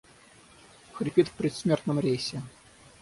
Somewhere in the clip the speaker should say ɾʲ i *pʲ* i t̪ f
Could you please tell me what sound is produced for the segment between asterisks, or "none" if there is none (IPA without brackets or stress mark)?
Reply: pʲ